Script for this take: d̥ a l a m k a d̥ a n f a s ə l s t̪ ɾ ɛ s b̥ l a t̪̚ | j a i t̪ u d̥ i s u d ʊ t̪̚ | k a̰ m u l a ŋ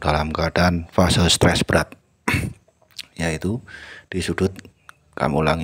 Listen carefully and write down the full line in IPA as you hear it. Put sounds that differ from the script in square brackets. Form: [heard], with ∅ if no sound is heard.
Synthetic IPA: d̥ a l a m k a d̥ a n f a s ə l s t̪ ɾ ɛ s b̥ [ɾ] a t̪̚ | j a i t̪ u d̥ i s u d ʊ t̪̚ | k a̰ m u l a ŋ